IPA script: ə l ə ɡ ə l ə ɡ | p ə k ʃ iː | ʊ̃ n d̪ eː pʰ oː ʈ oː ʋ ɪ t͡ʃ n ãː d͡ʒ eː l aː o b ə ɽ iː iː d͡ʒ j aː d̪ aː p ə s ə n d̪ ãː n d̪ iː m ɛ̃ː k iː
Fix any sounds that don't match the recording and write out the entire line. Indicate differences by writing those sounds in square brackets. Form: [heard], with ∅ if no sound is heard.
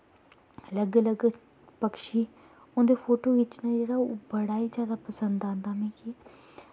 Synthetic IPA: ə l ə ɡ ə l ə ɡ | p ə k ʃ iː | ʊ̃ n d̪ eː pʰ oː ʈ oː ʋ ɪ t͡ʃ n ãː d͡ʒ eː [ɽ] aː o b ə ɽ [aː] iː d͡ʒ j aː d̪ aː p ə s ə n d̪ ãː n d̪ [aː] m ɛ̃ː k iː